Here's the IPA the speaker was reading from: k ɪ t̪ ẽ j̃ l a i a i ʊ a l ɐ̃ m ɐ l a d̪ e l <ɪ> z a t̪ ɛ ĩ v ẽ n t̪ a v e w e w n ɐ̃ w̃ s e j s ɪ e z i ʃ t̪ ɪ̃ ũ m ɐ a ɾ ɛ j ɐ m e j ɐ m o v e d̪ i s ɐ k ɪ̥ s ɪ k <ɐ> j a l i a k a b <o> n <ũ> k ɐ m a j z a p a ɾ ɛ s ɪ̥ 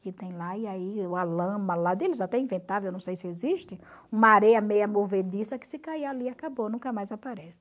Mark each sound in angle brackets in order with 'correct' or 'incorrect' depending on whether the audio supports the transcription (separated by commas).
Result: correct, incorrect, correct, correct